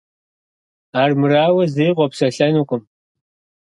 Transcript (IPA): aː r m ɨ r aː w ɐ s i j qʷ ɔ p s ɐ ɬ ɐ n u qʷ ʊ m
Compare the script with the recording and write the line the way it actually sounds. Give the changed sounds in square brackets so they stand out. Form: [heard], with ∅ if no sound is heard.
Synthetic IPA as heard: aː r m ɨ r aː w ɐ [z] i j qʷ ɔ p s ɐ ɬ ɐ n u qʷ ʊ m